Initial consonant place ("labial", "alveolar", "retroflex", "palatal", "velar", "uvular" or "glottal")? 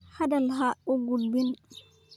glottal